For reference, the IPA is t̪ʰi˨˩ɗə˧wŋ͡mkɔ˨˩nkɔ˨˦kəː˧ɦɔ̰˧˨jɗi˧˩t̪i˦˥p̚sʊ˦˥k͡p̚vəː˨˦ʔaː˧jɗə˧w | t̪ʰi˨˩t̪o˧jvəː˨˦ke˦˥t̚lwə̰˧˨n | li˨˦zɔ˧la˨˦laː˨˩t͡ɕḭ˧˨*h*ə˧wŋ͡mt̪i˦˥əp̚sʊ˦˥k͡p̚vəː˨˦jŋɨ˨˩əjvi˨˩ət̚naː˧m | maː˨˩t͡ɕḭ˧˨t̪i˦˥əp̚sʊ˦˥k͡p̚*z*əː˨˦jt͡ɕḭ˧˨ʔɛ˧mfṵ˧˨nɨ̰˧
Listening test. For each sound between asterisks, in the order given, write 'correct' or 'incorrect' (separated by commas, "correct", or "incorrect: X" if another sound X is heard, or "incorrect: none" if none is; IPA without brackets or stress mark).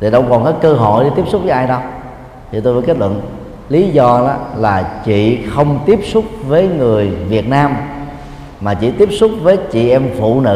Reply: incorrect: x, incorrect: v